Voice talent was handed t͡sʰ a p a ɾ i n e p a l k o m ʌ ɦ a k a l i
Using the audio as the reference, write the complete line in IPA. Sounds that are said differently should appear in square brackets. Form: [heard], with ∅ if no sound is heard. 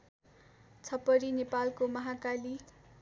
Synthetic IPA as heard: t͡sʰ [ʌ] p [ʌ] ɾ i n e p a l k o m ʌ ɦ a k a l i